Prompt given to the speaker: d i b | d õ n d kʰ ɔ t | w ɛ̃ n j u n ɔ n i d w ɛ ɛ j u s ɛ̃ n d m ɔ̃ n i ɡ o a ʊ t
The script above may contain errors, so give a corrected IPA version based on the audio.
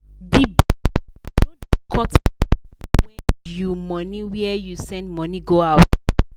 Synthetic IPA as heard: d i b | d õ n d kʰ ɔ t | w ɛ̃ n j u m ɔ n i w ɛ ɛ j u s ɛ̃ n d m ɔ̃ n i ɡ o a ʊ t